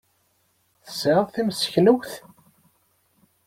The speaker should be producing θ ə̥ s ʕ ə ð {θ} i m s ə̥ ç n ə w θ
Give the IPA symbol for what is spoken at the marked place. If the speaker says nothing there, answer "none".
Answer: θ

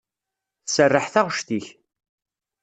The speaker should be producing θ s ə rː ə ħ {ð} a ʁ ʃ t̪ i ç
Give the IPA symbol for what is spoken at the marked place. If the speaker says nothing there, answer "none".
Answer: θ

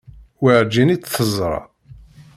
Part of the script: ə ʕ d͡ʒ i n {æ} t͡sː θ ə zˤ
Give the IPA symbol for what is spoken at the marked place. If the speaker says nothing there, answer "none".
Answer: i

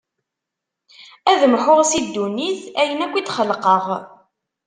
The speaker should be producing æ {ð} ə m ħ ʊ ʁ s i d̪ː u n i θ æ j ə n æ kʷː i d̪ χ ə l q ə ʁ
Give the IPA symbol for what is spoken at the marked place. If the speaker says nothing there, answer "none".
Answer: ð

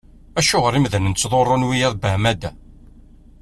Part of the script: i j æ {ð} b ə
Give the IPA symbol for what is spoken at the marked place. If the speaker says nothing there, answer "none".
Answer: ð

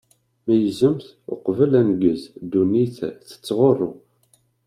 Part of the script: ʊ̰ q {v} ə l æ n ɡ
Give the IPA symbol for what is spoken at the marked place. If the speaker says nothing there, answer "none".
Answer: v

